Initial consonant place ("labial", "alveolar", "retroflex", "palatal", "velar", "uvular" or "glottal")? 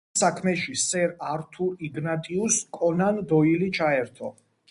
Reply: alveolar